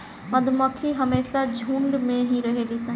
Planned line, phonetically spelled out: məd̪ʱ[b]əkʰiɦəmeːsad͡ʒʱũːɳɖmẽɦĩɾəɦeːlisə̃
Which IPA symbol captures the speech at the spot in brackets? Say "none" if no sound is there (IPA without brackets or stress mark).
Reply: m